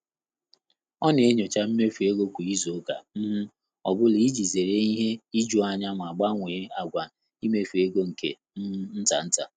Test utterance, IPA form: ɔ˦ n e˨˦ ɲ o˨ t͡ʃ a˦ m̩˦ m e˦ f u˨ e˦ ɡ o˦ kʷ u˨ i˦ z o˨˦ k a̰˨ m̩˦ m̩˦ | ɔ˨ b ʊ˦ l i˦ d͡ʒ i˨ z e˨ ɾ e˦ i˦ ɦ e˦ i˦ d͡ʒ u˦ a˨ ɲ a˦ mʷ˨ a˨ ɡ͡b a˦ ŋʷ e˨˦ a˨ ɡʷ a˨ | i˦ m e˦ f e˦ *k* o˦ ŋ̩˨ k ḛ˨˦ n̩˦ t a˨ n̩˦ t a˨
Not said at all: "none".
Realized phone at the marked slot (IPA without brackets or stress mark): ɡ